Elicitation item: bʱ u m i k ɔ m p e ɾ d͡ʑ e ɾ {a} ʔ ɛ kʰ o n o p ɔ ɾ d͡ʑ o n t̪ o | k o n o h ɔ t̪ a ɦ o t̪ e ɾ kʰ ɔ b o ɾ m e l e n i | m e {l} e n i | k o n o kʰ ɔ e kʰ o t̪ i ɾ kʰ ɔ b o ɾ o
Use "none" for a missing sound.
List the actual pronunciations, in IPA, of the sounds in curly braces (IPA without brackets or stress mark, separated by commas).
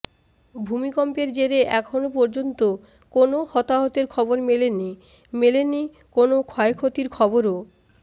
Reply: e, l